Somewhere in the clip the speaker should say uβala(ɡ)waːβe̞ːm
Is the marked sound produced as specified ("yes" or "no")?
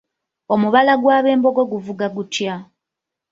yes